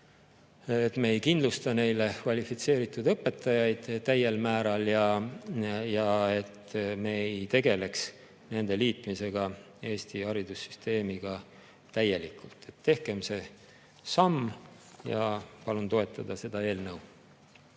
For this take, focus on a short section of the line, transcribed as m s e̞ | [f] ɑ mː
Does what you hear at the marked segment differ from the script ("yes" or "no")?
yes